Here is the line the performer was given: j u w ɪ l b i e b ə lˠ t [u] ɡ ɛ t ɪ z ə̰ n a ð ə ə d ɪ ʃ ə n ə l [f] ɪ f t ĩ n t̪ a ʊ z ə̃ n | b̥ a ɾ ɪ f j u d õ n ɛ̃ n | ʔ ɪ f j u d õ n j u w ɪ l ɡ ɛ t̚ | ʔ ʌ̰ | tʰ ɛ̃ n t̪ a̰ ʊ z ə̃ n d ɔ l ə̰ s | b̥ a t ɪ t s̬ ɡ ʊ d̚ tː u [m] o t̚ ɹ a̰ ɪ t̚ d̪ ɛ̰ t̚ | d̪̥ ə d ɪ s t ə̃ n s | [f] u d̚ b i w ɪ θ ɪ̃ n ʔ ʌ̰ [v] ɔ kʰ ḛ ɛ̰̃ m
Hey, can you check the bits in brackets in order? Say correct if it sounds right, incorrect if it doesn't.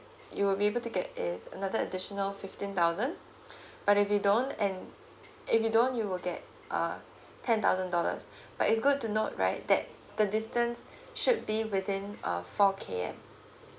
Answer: correct, correct, incorrect: n, incorrect: ʃ, incorrect: f

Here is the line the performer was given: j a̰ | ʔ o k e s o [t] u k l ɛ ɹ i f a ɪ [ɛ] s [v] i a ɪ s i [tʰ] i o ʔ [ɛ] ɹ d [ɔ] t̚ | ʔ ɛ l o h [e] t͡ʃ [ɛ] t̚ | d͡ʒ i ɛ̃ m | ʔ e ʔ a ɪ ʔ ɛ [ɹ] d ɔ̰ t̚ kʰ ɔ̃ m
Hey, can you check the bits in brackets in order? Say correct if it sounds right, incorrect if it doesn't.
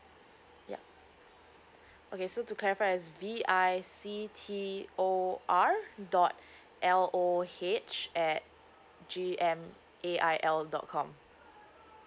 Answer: correct, correct, correct, correct, incorrect: a, correct, correct, correct, incorrect: l

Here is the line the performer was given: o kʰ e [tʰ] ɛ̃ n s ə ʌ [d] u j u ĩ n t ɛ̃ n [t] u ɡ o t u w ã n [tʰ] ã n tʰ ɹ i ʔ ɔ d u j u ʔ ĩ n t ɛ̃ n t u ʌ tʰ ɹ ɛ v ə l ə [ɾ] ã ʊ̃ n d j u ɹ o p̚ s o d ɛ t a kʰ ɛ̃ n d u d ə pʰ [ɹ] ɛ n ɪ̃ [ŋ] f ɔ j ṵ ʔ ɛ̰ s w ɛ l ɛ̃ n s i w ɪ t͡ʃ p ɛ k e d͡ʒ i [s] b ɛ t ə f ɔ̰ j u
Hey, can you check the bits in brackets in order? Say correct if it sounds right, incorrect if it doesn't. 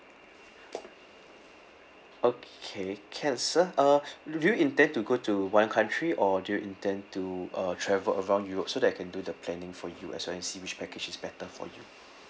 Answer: incorrect: kʰ, correct, correct, incorrect: kʰ, incorrect: ɹ, incorrect: l, correct, correct

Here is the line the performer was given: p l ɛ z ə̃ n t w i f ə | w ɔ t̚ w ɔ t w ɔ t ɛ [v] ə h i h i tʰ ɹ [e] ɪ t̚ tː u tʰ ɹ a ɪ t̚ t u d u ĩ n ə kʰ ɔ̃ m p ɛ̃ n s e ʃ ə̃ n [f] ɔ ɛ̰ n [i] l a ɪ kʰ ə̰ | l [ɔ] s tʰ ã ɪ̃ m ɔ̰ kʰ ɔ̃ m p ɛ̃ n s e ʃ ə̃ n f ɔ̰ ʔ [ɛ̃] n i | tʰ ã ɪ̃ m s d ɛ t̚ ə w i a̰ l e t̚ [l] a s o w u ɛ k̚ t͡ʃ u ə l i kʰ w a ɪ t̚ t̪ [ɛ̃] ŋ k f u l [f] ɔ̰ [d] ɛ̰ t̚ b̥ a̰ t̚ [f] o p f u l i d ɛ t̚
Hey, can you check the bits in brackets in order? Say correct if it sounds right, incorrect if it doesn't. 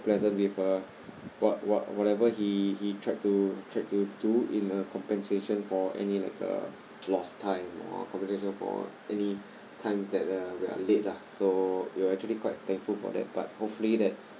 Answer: correct, incorrect: a, correct, correct, correct, incorrect: ɛ, correct, correct, correct, correct, incorrect: h

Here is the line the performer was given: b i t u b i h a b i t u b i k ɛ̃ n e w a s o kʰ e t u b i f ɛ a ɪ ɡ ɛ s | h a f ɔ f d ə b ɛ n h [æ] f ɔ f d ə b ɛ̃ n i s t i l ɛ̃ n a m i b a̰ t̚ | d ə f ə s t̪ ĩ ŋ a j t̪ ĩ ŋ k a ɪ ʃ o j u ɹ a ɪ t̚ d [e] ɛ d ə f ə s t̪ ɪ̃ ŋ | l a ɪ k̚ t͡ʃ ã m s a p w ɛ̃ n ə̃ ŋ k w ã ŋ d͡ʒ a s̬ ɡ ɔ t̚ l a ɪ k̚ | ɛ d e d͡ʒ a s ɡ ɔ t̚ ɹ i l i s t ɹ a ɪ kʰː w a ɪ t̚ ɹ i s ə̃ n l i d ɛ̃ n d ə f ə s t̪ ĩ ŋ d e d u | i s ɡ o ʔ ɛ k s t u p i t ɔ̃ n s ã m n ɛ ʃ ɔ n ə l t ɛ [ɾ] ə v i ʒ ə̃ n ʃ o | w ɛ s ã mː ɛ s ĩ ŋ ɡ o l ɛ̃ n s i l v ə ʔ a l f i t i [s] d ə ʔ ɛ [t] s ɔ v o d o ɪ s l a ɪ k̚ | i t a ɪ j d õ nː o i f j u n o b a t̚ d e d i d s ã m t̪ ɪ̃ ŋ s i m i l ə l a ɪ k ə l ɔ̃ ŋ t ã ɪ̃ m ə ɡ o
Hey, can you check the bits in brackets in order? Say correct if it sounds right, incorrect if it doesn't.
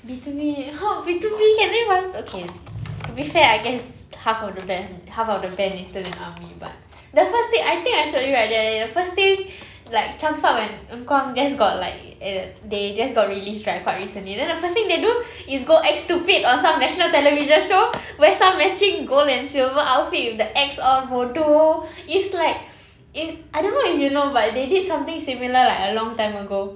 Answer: incorrect: a, incorrect: ɛ, incorrect: l, incorrect: f, incorrect: k

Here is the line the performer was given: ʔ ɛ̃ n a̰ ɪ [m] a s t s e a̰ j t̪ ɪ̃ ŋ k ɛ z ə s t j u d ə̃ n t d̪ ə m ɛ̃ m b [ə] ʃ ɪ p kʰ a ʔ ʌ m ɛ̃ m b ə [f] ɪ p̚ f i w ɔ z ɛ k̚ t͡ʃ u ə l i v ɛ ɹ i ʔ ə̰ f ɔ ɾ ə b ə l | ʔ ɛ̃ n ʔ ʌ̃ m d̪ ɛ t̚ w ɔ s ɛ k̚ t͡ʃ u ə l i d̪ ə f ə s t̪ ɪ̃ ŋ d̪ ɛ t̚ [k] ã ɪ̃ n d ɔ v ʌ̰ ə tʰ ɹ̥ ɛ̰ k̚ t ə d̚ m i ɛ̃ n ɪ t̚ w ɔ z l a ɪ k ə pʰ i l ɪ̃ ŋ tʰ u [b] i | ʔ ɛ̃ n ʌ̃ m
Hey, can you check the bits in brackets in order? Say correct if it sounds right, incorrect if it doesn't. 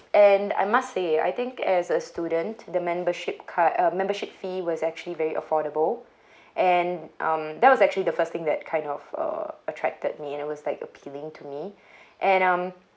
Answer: correct, correct, incorrect: ʃ, incorrect: kʰ, incorrect: m

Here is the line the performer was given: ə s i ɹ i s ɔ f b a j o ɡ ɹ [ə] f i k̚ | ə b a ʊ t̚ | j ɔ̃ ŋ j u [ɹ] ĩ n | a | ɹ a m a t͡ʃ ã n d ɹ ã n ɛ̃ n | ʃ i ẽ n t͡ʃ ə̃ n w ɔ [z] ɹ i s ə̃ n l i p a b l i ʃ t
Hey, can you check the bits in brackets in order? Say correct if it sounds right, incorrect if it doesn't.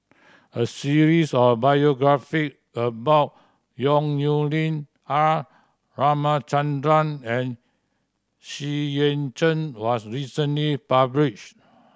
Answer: incorrect: a, incorrect: l, incorrect: s

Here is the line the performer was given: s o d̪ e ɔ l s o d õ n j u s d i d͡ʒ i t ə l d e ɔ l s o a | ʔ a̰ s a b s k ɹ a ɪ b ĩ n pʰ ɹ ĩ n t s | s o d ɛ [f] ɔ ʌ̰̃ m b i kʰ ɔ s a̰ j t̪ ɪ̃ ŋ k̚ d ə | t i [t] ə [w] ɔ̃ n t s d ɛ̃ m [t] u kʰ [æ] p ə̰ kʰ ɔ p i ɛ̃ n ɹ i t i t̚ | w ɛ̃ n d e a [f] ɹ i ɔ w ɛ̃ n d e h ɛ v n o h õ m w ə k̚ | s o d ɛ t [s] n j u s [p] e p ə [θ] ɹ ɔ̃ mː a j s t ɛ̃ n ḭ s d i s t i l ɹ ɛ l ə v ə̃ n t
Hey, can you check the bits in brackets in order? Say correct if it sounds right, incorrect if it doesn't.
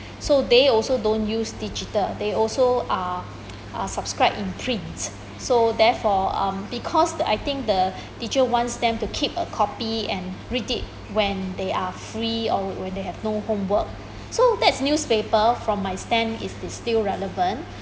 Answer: correct, incorrect: t͡ʃ, correct, correct, incorrect: i, correct, correct, correct, incorrect: f

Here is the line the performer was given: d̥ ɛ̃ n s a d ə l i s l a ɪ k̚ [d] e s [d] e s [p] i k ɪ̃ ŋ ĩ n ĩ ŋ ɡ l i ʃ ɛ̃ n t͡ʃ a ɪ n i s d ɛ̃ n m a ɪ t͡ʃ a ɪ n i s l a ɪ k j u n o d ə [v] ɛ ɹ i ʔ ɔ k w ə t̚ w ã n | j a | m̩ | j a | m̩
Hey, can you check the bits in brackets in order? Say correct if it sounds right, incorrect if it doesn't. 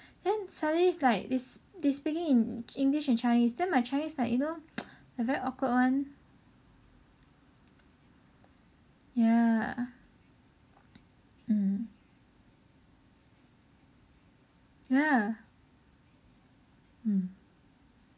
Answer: correct, correct, correct, correct

